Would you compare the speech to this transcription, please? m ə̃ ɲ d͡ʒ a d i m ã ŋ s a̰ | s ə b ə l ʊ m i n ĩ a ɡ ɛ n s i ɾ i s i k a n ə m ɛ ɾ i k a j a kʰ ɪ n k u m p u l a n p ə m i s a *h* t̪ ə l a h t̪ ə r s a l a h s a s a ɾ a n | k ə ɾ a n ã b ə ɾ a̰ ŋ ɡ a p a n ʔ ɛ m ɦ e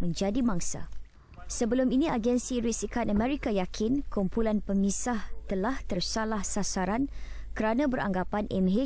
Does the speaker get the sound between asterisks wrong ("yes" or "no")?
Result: no